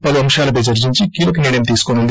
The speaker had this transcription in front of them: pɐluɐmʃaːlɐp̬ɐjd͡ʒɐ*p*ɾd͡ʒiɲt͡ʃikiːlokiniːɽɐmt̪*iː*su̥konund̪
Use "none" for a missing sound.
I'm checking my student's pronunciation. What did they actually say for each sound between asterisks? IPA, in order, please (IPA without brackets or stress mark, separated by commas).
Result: none, iː